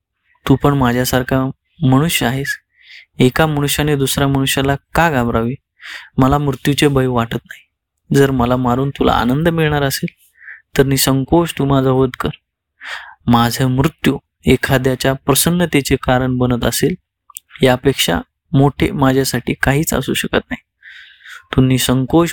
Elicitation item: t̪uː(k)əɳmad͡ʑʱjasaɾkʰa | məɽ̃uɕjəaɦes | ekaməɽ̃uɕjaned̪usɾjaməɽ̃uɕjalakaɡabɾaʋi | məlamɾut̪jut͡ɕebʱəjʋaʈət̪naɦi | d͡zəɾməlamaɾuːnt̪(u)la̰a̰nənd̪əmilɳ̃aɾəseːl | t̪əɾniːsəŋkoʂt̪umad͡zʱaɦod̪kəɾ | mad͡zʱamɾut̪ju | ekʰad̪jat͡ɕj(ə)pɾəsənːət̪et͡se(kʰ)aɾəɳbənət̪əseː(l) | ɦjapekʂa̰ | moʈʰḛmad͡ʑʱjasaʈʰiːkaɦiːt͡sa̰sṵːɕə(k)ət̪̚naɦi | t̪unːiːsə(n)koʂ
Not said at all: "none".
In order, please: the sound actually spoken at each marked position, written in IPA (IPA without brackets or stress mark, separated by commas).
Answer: p, u, a, k, l, k, ŋ